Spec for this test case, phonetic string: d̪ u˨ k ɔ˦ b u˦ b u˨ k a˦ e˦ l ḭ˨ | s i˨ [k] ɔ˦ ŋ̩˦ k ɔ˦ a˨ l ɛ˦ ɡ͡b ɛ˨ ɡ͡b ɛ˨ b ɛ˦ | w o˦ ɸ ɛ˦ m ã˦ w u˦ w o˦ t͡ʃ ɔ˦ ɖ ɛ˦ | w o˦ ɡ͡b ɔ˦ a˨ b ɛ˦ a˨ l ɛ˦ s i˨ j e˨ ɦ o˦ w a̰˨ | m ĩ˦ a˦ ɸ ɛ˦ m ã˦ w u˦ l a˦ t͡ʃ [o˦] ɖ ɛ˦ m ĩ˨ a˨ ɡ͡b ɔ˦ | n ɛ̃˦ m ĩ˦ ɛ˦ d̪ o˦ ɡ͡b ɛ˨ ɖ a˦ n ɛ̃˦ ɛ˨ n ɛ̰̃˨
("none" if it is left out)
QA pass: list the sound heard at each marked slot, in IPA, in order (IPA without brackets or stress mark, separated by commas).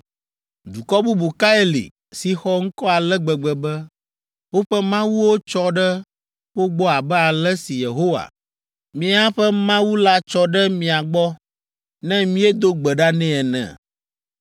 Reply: x, ɔ˦